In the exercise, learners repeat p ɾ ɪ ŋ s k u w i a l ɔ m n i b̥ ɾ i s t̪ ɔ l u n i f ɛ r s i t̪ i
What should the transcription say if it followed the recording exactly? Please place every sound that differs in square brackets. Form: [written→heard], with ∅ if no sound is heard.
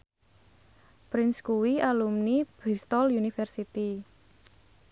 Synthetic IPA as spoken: p ɾ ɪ [ŋ→n] s k u w i a l [ɔ→u] m n i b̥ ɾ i s t̪ ɔ l u n i f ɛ r s i t̪ i